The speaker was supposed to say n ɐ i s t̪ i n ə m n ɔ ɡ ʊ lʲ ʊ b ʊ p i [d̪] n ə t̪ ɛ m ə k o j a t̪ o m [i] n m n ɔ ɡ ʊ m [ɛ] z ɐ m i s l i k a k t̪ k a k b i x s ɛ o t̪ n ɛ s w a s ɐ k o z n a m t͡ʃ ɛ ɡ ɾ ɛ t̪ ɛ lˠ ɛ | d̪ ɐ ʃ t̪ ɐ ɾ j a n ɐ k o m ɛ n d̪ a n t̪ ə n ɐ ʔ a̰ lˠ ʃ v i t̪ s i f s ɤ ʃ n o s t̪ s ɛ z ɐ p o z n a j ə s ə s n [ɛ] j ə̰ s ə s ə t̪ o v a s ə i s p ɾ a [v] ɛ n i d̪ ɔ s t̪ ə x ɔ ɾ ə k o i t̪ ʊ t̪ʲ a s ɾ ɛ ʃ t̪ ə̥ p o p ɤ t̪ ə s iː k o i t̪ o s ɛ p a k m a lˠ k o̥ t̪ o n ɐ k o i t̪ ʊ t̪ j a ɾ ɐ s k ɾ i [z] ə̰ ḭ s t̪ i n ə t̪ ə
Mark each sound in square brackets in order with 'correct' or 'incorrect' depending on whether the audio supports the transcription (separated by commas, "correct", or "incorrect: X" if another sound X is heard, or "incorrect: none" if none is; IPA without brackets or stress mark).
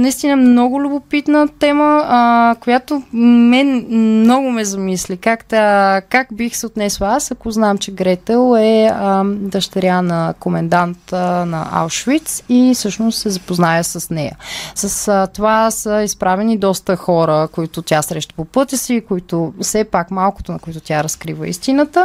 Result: incorrect: t̪, incorrect: ɛ, correct, correct, correct, incorrect: v